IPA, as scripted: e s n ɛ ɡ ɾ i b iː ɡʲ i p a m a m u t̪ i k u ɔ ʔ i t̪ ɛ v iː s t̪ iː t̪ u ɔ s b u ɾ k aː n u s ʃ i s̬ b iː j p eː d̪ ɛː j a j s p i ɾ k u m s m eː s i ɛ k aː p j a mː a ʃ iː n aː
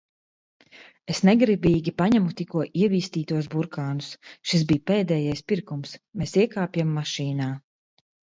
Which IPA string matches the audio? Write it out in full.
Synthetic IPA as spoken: e s n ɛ ɡ ɾ i b iː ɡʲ i p a ɲ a m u t̪ i k u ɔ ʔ i ɛ v iː s t̪ iː t̪ u ɔ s b u ɾ k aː n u s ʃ i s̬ b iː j p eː d̪ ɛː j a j s p i ɾ k u m s m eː s i ɛ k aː p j a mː a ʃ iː n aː